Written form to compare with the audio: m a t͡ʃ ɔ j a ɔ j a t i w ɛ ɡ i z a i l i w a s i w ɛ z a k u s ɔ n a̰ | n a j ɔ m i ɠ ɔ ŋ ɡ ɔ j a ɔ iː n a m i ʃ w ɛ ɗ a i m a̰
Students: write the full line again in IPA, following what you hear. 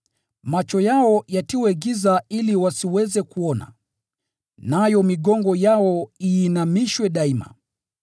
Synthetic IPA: m a t͡ʃ ɔ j a ɔ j a t i w ɛ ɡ i z a i l i w a s i w ɛ z ɛ k u ɔ n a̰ | n a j ɔ m i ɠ ɔ ŋ ɡ ɔ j a ɔ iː n a m i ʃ w ɛ ɗ a i m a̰